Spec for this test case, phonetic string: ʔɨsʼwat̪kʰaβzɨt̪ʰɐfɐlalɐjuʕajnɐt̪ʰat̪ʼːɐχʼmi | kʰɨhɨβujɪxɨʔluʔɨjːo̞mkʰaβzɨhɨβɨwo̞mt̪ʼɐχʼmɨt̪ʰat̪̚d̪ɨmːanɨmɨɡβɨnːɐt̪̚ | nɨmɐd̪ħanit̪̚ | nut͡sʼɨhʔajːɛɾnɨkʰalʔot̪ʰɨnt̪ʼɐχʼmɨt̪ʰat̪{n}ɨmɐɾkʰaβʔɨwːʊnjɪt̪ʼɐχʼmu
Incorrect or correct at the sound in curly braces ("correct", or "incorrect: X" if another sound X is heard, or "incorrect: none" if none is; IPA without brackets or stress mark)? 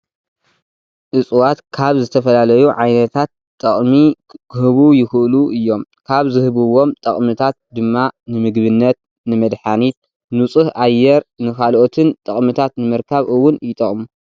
correct